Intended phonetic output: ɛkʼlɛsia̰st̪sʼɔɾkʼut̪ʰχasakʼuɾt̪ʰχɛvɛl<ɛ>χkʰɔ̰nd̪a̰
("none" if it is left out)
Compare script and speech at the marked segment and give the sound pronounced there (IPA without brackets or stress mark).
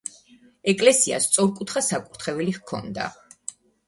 i